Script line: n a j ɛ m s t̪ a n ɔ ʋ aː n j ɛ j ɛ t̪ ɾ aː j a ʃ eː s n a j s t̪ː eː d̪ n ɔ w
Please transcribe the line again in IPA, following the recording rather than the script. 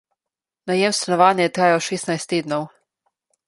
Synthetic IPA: n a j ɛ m s t̪ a n ɔ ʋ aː n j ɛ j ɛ t̪ ɾ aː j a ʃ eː s n a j s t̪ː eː d̪ n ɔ w